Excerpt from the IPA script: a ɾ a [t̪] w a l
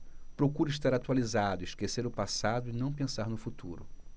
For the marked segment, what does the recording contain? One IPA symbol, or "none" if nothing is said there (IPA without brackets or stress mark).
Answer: t̪